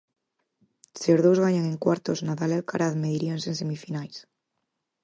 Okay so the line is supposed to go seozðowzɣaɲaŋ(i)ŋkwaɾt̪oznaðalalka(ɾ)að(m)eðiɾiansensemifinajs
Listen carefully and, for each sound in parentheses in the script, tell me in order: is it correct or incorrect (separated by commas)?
incorrect, correct, correct